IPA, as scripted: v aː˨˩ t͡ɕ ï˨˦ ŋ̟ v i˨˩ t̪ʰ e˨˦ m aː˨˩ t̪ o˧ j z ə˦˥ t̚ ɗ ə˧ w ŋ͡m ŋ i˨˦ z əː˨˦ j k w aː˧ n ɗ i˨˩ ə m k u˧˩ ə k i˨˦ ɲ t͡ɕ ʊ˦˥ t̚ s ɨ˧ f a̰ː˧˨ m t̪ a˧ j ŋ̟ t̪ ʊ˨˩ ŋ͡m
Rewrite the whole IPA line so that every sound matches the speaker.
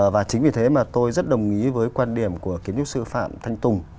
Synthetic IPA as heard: v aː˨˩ t͡ɕ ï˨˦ ŋ̟ v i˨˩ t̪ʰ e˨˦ m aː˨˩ t̪ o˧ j z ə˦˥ t̚ ɗ ə˨˩ w ŋ͡m ŋ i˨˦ v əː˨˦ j k w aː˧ n ɗ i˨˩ ə m k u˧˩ ə k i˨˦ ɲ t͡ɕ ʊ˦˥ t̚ s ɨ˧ f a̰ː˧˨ m t̪ʰ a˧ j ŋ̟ t̪ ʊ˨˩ ŋ͡m